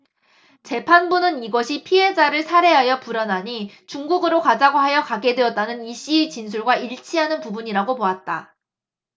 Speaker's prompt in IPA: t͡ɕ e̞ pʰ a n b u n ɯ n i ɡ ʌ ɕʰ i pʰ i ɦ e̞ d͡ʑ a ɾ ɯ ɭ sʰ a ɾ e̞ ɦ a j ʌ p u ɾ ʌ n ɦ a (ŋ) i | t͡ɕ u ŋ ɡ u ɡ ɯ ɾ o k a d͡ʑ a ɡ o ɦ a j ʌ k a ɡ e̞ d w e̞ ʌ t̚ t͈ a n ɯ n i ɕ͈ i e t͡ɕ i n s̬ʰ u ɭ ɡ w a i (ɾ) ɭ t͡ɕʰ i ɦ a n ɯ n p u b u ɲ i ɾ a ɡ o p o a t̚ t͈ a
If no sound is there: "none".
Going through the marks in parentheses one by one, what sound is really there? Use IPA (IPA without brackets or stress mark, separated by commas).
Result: ɲ, none